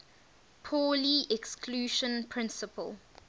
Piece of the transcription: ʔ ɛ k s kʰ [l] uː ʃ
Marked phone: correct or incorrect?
correct